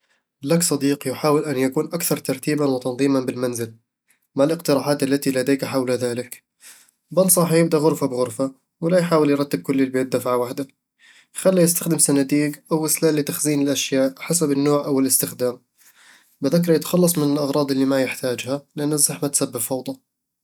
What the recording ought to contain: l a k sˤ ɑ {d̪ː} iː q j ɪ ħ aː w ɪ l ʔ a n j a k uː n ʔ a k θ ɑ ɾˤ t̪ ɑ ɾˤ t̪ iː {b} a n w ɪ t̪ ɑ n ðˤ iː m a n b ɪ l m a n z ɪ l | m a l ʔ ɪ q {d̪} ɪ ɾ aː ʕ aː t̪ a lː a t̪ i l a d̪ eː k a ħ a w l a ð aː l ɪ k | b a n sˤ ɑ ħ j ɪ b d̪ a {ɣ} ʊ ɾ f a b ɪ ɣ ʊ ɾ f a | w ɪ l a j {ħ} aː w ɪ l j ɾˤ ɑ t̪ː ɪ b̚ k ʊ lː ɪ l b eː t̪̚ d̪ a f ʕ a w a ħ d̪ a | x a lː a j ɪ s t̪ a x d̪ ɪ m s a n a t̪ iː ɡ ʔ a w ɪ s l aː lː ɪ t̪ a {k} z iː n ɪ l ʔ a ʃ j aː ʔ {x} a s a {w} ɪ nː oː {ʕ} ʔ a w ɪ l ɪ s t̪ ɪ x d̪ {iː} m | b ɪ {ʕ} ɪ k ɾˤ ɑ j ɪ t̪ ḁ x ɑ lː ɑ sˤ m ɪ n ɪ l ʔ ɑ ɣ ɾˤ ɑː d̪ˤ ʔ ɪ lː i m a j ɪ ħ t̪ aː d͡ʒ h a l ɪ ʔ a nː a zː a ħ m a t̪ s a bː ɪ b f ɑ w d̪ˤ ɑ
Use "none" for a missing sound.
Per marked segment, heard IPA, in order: d̪, b, t̪, ɣ, ħ, x, ħ, b, ʕ, aː, ð

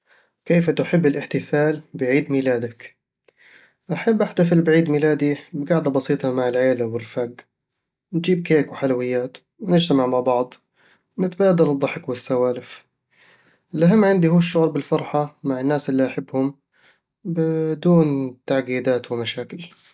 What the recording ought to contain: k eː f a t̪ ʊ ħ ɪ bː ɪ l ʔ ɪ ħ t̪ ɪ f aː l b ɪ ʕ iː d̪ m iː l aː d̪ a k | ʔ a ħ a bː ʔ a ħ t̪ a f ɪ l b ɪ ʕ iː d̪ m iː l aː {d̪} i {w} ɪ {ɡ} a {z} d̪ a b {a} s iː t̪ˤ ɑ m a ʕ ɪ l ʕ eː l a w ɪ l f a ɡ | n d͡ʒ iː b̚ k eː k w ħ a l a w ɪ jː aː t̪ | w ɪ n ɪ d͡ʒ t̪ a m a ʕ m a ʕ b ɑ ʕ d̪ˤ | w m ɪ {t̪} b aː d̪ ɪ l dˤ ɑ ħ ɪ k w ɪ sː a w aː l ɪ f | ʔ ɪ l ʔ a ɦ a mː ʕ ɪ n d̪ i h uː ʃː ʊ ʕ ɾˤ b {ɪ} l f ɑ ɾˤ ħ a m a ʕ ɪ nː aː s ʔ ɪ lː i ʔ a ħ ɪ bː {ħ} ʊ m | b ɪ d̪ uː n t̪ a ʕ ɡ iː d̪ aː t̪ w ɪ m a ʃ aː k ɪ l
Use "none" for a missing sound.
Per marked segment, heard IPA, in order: d̪, b, ɡ, ʕ, ɑ, t̪, ɪ, h

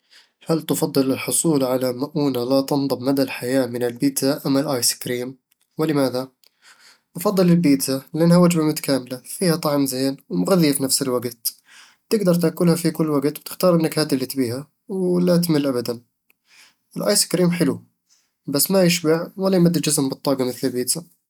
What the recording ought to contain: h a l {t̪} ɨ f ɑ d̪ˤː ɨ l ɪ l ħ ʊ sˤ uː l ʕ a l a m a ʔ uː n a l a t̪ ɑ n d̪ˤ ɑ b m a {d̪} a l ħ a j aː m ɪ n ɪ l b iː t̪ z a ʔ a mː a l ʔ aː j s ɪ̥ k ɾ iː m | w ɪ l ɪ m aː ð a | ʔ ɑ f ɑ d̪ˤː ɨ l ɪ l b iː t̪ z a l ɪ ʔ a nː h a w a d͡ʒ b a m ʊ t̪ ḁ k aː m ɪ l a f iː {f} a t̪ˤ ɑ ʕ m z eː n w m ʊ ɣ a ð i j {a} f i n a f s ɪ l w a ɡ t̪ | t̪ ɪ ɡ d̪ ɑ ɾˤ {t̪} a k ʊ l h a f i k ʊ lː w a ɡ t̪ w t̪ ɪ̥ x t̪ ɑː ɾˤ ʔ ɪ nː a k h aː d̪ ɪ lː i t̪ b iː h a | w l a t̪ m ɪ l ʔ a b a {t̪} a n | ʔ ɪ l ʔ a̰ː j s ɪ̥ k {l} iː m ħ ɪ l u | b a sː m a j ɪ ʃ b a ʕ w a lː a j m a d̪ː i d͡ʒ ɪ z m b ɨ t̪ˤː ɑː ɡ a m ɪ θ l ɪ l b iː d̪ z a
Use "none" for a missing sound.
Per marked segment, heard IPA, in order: t̪, d̪, h, a, t̪, d̪, ɾ

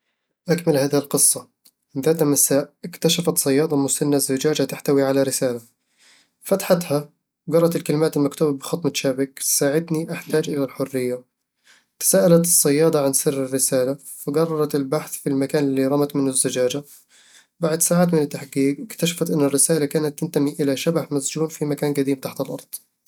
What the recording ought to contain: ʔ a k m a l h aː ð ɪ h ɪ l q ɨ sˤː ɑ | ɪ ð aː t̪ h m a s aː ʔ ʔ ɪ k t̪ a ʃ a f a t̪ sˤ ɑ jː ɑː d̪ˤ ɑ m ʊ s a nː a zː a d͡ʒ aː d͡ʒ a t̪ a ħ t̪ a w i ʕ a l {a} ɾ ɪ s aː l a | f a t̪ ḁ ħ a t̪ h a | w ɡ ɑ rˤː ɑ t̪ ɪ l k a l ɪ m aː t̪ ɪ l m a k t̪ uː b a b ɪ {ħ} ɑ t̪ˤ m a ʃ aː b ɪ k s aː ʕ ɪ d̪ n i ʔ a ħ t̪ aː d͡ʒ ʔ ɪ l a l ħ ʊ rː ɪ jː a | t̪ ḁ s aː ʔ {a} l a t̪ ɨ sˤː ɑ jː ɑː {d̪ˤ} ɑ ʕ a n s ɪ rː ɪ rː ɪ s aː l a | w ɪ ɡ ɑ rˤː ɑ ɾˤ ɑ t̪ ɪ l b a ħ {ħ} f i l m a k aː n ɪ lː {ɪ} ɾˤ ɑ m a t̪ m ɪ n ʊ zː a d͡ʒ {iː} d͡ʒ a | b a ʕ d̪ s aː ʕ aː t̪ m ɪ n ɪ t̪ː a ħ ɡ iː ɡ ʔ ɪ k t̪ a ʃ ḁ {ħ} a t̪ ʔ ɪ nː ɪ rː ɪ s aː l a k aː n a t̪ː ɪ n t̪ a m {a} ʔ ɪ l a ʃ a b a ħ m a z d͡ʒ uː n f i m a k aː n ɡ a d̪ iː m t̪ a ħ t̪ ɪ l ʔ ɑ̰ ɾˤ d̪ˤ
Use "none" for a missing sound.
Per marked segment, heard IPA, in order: a, x, a, d̪ˤ, θ, i, aː, f, i

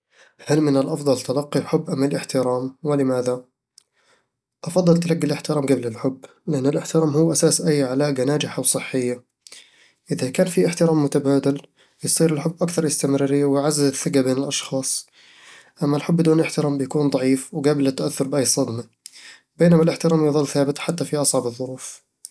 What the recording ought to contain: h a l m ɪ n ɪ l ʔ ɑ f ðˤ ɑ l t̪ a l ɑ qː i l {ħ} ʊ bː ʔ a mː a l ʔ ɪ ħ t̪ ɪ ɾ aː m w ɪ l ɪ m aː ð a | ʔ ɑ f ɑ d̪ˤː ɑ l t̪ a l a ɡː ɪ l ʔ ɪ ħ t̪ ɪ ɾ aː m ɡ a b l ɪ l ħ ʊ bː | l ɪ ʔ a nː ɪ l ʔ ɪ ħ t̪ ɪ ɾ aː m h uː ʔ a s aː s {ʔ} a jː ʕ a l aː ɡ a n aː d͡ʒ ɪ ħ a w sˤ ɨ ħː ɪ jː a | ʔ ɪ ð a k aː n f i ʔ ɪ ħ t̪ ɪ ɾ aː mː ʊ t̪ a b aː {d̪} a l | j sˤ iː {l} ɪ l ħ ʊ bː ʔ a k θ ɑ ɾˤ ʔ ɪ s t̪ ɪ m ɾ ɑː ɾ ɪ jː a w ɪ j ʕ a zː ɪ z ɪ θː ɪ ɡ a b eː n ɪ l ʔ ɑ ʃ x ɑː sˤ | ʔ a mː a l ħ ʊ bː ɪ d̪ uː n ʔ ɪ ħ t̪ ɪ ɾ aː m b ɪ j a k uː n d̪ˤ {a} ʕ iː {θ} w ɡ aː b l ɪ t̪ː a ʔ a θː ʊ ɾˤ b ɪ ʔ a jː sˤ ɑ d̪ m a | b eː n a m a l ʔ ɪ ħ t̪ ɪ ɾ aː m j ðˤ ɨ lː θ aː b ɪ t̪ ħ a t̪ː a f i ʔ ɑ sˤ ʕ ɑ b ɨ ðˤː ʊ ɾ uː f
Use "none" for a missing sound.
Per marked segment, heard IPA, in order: ħ, ʔ, d̪, ɾ, ɑ, f

